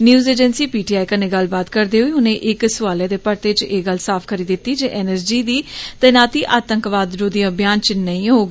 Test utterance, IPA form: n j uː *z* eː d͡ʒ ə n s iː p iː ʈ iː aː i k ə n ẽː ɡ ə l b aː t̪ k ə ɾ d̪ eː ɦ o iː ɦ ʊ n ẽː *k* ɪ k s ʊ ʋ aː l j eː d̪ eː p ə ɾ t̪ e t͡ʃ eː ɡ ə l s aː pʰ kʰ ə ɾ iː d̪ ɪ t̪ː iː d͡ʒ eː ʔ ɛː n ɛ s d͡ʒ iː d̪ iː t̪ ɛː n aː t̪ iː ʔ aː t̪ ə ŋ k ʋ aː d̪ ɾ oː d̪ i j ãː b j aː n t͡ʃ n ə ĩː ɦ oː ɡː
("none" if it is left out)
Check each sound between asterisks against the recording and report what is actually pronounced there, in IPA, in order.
z, ʔ

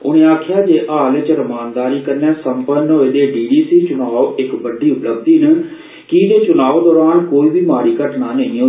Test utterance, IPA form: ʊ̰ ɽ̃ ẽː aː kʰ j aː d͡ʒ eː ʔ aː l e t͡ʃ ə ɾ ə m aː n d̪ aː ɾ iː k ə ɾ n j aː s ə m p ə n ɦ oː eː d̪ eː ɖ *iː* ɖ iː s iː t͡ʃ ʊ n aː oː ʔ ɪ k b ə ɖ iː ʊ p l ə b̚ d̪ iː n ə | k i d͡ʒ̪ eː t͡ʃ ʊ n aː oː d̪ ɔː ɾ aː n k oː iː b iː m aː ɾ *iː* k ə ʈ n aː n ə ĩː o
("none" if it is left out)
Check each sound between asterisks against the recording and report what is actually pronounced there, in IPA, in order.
iː, iː

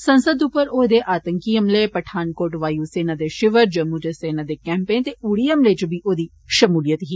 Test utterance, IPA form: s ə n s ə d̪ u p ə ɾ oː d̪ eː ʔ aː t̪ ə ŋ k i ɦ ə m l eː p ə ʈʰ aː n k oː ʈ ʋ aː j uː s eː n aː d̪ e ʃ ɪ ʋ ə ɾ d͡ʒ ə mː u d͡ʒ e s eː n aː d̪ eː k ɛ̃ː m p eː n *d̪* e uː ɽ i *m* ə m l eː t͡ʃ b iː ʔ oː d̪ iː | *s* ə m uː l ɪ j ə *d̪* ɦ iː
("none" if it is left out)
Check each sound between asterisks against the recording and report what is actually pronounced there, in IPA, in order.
t̪, none, ʃ, t̪

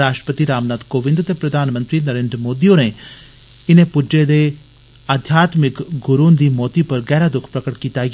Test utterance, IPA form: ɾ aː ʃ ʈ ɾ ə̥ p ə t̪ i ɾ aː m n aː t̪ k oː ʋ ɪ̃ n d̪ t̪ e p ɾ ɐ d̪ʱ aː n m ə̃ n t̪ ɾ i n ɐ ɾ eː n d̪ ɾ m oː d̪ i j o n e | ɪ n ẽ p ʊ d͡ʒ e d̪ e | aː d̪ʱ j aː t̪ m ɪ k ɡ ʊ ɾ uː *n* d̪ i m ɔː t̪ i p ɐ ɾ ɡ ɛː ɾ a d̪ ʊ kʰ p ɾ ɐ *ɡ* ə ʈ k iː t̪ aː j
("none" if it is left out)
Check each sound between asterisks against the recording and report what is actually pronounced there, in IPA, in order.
n, k

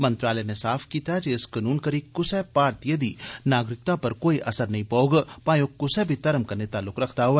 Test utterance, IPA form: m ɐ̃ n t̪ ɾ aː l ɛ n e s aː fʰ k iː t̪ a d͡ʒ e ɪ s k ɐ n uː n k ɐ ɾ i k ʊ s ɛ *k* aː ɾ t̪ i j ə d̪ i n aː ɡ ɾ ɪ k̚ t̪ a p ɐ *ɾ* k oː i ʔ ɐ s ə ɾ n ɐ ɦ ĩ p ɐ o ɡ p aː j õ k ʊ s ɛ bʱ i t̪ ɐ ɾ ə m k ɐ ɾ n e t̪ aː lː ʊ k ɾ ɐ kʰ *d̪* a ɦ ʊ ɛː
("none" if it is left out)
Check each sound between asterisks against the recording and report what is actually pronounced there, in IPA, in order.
p, ɾ, t̪

